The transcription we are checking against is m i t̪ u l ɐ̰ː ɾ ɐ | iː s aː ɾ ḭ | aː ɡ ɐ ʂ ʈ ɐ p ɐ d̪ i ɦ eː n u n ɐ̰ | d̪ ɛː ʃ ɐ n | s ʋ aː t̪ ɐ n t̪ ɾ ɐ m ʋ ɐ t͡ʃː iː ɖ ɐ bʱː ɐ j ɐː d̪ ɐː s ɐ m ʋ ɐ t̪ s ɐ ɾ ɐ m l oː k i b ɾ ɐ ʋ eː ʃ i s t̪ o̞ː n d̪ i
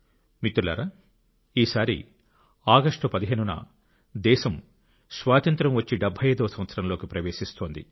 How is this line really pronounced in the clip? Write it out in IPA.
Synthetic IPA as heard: m i t̪ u l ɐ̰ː ɾ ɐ | iː s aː ɾ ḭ | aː ɡ ɐ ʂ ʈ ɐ p ɐ d̪ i ɦ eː n u n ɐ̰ | d̪ ɛː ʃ ɐ m | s ʋ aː t̪ ɐ n t̪ ɾ ɐ m ʋ ɐ t͡ʃː i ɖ ɐ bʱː ɐ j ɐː d̪ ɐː s ɐ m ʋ ɐ t̪ s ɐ ɾ ɐ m l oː k i p ɾ ɐ ʋ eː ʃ i s t̪ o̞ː n d̪ i